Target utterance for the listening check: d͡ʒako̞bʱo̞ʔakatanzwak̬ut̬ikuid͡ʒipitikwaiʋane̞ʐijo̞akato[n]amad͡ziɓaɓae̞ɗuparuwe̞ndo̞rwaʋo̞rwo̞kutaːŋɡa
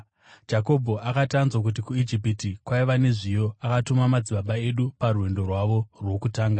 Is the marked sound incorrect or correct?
incorrect